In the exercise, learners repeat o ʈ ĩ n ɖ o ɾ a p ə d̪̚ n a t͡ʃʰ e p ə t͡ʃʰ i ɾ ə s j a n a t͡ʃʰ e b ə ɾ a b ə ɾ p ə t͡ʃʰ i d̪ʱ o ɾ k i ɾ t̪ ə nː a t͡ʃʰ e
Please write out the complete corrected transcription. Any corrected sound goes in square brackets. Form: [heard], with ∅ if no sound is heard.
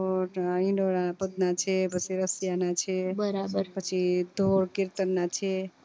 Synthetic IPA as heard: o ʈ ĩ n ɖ o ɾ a p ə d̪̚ n a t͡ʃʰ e p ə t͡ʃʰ i ɾ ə s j a n a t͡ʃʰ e b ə ɾ a b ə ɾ p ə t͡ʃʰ i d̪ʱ o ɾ k i ɾ t̪ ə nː a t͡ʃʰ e